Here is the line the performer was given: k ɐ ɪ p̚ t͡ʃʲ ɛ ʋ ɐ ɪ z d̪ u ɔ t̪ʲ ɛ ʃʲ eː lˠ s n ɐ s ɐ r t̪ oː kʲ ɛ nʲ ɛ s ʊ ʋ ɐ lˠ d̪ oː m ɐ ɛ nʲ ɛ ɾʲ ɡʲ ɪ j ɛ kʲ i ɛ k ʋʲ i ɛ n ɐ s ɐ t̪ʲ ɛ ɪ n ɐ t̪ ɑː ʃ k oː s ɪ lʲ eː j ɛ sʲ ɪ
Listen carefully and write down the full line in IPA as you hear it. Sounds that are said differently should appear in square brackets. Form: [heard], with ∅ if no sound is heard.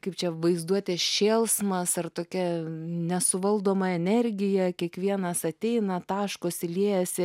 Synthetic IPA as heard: k ɐ ɪ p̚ t͡ʃʲ ɛ ʋ ɐ ɪ z d̪ u ɔ t̪ʲ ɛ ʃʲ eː lˠ s [m] ɐ s ɐ r t̪ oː kʲ ɛ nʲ ɛ s ʊ ʋ ɐ lˠ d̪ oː m ɐ ɛ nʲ ɛ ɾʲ ɡʲ ɪ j ɛ kʲ i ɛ k ʋʲ i ɛ n ɐ s ɐ t̪ʲ ɛ ɪ n ɐ t̪ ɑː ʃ k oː s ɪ lʲ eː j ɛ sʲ ɪ